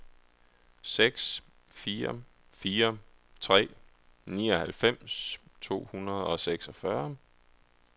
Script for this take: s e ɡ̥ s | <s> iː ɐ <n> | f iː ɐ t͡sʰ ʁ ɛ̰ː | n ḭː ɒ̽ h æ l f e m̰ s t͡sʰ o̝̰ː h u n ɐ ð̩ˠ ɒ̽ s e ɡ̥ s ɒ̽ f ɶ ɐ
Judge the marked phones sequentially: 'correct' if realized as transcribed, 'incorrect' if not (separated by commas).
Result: incorrect, incorrect